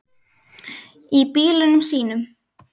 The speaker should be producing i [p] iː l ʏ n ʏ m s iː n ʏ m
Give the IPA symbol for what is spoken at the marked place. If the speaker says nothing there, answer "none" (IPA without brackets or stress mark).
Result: p